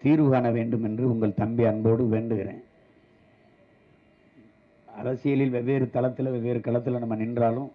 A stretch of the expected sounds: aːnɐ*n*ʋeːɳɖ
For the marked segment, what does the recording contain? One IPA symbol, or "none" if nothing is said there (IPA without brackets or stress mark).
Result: none